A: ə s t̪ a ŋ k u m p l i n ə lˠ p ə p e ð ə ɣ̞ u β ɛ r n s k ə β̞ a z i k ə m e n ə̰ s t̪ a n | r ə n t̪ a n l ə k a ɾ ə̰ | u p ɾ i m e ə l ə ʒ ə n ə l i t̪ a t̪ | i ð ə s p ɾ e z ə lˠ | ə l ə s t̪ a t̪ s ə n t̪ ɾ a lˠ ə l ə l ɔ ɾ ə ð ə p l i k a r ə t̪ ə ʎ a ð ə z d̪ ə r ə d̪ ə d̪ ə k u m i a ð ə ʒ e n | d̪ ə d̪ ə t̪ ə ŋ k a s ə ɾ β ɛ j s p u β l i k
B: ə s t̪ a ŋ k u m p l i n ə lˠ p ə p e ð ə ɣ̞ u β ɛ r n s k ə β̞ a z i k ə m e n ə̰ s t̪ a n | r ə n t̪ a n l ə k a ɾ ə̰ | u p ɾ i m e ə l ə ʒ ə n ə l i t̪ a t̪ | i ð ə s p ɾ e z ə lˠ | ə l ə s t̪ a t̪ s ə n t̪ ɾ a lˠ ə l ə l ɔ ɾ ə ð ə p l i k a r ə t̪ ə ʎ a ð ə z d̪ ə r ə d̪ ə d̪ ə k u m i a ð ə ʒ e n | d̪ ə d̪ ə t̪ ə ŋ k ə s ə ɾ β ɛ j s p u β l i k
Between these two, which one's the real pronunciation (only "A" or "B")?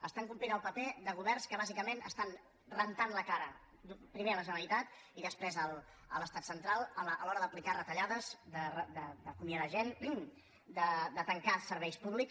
A